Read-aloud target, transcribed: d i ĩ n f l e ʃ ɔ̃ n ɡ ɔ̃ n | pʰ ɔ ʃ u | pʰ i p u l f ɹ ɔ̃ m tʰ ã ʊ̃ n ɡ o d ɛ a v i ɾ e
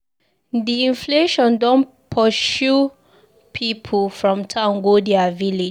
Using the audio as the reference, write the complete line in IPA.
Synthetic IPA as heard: d i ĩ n f l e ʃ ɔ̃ n d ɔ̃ n | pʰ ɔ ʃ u | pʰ i pʰ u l f ɹ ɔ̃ m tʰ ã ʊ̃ n ɡ o d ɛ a v i l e